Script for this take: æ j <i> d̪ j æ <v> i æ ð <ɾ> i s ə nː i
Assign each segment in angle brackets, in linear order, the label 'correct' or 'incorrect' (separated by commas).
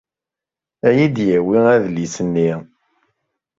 correct, incorrect, incorrect